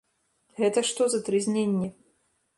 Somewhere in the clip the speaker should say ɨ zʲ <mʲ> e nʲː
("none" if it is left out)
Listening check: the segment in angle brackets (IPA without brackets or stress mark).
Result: nʲ